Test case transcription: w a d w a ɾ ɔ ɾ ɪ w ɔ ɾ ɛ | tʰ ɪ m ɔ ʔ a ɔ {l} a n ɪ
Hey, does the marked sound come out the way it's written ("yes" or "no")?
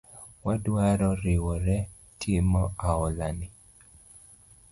yes